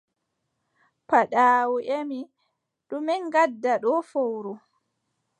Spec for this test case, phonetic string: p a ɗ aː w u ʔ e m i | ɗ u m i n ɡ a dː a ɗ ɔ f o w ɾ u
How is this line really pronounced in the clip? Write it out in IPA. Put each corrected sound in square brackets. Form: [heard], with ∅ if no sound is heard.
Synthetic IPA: p a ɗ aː w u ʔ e m i | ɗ u m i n ɡ a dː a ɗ ɔ f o w ɾ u